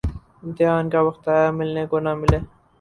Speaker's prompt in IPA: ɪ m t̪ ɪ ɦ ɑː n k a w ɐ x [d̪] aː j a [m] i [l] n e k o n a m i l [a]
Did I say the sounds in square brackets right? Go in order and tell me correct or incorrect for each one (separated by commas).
incorrect, correct, correct, incorrect